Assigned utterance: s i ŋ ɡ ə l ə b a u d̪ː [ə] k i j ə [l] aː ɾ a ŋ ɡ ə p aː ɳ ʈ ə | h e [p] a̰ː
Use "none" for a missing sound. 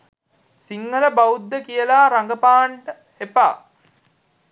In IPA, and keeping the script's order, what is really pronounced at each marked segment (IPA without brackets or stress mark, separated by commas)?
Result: ə, l, p